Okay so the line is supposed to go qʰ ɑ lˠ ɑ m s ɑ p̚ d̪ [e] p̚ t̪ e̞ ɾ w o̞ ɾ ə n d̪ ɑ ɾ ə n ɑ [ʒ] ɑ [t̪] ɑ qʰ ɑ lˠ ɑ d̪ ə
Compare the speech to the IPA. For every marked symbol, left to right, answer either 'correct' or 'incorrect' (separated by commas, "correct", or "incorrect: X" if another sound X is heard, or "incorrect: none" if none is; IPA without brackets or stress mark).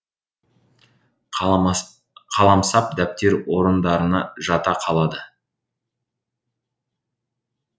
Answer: incorrect: æ, correct, correct